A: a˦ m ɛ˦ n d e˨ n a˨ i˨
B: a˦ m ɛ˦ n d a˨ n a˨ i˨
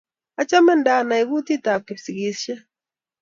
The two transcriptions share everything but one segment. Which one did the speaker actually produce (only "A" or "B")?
B